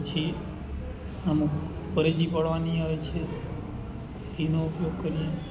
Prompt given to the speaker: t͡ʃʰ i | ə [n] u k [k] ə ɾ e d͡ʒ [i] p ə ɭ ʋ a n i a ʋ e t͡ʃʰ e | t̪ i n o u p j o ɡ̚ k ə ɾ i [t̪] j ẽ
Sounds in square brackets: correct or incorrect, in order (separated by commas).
incorrect, incorrect, correct, incorrect